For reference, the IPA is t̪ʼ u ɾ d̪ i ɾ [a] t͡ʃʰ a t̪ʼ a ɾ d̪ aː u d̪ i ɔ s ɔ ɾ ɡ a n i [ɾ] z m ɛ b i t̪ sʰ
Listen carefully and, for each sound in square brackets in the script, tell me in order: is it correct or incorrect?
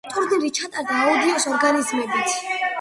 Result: incorrect, incorrect

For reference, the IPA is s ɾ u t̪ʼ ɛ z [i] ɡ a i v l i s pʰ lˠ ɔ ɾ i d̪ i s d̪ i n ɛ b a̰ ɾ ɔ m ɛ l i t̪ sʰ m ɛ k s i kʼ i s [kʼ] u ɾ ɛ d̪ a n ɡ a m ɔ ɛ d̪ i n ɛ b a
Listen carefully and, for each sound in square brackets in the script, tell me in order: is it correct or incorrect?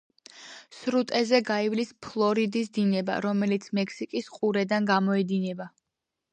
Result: incorrect, incorrect

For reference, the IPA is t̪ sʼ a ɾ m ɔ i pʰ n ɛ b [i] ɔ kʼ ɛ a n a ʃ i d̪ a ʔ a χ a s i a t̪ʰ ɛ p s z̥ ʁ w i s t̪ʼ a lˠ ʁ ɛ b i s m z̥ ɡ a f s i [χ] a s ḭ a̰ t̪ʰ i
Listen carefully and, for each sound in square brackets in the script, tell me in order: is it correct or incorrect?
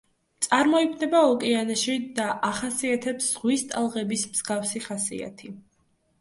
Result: incorrect, correct

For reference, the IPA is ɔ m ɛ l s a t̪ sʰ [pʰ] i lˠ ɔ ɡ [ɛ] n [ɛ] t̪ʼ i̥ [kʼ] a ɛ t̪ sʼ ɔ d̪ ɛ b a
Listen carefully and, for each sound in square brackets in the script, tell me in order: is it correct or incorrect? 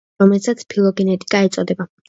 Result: correct, correct, correct, correct

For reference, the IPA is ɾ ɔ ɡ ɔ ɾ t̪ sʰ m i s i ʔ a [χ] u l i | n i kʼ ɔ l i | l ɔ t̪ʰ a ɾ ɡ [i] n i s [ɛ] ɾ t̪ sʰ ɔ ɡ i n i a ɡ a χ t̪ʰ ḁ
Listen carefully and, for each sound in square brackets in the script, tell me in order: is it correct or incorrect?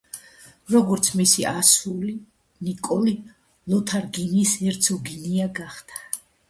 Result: incorrect, correct, correct

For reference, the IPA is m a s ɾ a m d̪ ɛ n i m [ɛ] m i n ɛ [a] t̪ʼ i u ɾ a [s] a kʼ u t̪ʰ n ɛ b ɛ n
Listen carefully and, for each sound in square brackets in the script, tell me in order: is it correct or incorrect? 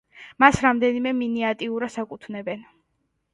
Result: correct, correct, correct

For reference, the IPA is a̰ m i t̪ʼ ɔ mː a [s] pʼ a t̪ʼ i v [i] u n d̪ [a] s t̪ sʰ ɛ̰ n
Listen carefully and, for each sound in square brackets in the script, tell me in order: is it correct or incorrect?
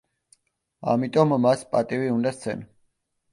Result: correct, correct, correct

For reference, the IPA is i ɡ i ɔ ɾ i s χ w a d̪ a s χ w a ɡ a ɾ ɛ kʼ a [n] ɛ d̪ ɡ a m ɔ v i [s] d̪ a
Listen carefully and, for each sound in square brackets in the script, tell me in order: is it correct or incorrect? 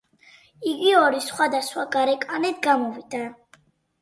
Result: correct, incorrect

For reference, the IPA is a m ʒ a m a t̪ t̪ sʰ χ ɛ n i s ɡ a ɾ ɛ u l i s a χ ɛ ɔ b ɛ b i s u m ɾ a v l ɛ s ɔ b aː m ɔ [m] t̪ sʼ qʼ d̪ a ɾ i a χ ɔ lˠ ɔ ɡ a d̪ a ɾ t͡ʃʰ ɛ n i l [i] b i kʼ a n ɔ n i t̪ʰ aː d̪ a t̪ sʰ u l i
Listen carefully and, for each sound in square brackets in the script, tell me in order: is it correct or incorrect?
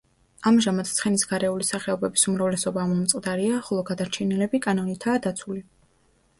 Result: correct, incorrect

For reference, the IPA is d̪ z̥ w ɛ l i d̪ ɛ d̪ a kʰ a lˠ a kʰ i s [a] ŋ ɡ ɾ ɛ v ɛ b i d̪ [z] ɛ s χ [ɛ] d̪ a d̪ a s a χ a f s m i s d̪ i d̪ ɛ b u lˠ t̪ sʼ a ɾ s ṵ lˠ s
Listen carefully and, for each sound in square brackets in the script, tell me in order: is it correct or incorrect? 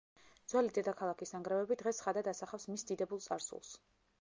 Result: correct, incorrect, incorrect

